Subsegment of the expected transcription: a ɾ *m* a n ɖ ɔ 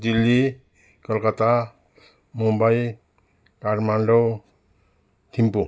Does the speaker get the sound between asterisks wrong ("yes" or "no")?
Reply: no